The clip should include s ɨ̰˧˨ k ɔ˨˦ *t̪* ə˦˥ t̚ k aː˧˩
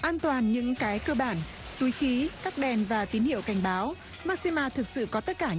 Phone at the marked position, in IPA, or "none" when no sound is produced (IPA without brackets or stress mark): t̪